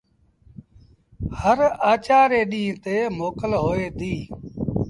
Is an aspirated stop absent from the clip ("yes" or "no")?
yes